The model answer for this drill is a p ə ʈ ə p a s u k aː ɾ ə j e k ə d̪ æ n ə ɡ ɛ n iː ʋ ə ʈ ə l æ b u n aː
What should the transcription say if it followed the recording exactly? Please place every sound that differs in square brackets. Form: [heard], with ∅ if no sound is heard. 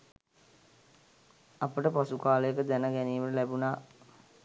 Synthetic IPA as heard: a p ə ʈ ə p a s u k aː [l] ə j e k ə d̪ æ n ə ɡ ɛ n iː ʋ ə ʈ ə l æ b u n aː